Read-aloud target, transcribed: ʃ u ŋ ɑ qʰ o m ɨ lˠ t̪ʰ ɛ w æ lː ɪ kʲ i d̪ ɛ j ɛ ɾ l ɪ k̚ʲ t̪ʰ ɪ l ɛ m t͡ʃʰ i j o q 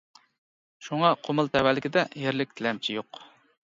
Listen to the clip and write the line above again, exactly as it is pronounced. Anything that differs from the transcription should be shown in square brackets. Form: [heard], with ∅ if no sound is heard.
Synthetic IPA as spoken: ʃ u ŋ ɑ qʰ o m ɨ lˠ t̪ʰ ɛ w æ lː ɪ kʲ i d̪ ɛ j [e] ɾ l ɪ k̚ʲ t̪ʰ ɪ l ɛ m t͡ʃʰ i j o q